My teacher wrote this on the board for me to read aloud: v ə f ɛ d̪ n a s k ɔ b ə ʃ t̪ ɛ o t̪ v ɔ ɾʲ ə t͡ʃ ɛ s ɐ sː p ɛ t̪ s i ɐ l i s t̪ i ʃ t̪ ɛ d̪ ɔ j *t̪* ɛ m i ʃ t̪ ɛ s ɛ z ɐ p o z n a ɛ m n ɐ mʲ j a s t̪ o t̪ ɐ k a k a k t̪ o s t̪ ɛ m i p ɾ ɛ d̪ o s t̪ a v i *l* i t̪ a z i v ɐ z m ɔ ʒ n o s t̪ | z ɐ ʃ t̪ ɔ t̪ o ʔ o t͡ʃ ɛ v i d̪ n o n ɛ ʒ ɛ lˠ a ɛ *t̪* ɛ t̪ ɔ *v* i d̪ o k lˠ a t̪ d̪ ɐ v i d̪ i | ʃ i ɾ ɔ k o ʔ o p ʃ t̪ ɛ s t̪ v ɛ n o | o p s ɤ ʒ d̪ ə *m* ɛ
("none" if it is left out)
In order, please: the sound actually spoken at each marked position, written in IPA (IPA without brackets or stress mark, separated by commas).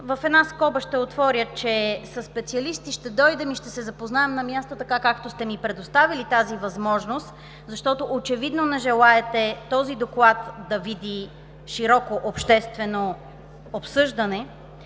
d̪, l, t̪, z, n